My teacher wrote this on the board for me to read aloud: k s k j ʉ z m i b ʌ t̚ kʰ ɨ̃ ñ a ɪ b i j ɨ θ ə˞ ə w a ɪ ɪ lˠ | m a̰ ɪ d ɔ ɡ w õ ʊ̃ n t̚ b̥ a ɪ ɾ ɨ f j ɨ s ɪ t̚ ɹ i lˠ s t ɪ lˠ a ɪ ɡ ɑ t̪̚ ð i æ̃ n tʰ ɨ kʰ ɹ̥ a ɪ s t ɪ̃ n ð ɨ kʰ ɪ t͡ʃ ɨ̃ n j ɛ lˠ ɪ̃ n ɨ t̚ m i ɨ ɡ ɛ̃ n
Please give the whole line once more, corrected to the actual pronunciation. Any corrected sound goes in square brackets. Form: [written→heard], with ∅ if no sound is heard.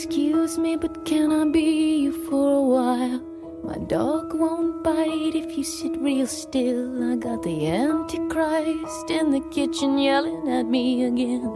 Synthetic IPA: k s k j ʉ z m i b ʌ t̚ kʰ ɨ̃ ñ a ɪ b i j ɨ [θ→f] ə˞ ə w a ɪ ɪ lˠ | m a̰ ɪ d ɔ ɡ w õ ʊ̃ n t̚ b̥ a ɪ ɾ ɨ f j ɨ s ɪ t̚ ɹ i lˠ s t ɪ lˠ a ɪ ɡ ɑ t̪̚ ð i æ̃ n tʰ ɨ kʰ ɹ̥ a ɪ s t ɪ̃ n ð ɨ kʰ ɪ t͡ʃ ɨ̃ n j ɛ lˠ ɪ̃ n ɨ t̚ m i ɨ ɡ ɛ̃ n